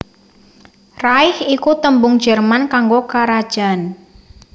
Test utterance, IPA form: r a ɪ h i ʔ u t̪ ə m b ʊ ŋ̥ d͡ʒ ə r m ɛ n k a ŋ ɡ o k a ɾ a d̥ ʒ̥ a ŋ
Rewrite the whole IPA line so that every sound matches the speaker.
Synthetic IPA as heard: r a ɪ h i k u t̪ ə m b ʊ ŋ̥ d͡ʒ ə r m a n k a ŋ ɡ o k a ɾ a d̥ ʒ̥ a n